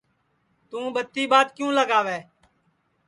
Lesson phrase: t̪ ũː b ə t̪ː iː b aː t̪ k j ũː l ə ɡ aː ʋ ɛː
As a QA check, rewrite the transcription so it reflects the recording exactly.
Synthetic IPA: t̪ ũː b ə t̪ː iː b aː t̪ k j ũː l ə ɡ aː ʋ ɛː